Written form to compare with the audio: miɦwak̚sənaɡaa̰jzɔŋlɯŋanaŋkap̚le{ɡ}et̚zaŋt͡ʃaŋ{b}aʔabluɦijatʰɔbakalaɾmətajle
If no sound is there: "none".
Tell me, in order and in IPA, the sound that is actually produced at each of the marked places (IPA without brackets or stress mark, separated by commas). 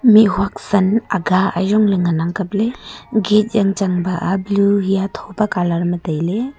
ɡ, b